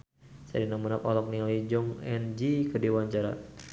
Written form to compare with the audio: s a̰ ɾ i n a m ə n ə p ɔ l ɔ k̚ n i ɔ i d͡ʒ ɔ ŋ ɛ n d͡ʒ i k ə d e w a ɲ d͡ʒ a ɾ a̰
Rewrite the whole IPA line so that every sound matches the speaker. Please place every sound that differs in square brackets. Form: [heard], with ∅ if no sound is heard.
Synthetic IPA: s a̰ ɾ i n a m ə n [a] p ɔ l ɔ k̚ n i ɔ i d͡ʒ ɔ ŋ ɛ n d͡ʒ i k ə d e w a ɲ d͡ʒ a ɾ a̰